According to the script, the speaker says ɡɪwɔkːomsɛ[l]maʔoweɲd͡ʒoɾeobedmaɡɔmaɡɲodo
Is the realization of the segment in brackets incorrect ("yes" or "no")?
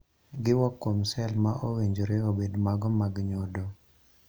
no